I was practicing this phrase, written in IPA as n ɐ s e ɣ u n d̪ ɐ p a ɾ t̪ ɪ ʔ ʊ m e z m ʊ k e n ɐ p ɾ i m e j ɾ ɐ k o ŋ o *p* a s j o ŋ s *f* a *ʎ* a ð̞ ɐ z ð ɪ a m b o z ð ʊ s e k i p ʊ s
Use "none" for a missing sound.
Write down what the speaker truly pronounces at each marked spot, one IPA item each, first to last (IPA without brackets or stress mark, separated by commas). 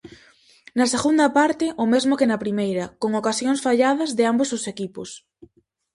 k, f, ʎ